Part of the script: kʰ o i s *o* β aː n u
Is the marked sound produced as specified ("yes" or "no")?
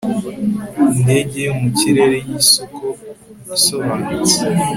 yes